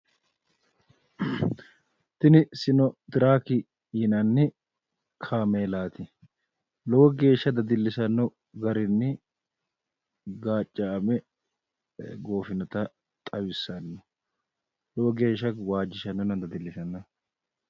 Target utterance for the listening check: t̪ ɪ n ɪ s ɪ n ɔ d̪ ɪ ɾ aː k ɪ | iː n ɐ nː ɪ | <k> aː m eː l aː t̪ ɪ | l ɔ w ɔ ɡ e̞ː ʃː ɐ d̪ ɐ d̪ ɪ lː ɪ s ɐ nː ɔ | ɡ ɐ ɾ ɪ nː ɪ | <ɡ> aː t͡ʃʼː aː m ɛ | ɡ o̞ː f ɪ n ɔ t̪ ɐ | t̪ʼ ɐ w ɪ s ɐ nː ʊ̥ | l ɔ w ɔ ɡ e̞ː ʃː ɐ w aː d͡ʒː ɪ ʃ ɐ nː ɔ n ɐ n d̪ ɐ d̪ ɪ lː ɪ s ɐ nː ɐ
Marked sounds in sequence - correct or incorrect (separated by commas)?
incorrect, correct